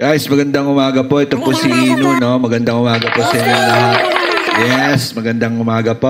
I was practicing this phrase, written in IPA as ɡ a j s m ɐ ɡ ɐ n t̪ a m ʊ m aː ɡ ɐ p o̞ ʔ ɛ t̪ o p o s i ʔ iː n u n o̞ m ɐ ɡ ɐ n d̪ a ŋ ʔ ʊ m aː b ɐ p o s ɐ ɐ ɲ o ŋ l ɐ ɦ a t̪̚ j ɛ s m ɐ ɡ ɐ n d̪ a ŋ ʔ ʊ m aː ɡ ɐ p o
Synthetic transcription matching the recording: ɡ a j s m ɐ ɡ ɐ n d̪ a ŋ ʊ m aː ɡ ɐ p o̞ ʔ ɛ t̪ o p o s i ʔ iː n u n o̞ m ɐ ɡ ɐ n d̪ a ŋ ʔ ʊ m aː ɡ ɐ p o s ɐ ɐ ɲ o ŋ l ɐ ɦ a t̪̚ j ɛ s m ɐ ɡ ɐ n d̪ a ŋ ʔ ʊ m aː ɡ ɐ p o